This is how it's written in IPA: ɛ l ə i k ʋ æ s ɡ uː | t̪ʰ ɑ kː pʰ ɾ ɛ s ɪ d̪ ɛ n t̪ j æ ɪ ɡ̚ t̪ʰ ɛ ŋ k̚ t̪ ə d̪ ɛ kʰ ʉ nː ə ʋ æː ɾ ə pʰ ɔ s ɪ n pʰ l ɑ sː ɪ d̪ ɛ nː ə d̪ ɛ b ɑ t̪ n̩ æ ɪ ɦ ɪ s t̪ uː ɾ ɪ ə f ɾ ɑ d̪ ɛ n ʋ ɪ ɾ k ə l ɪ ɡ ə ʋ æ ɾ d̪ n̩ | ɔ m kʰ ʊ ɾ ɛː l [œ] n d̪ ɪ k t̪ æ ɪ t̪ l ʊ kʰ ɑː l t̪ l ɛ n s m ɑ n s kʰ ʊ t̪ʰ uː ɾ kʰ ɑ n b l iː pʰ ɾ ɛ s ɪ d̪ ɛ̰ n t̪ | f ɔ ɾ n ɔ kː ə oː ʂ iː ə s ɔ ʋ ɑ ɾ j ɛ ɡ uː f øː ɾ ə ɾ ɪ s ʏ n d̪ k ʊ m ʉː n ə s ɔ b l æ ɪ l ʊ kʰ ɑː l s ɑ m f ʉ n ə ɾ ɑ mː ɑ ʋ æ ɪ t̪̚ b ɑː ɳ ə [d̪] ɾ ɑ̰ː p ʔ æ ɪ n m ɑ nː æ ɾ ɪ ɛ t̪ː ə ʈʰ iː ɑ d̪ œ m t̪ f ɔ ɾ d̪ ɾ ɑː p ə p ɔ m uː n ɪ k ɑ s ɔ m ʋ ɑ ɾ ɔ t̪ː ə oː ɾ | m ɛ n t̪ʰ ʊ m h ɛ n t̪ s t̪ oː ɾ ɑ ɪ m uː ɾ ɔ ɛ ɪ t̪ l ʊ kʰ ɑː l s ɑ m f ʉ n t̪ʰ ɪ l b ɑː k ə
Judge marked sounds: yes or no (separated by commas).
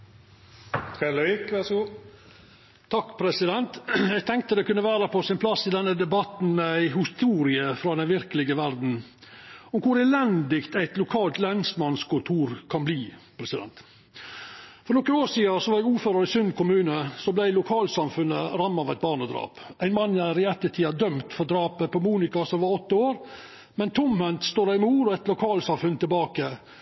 no, yes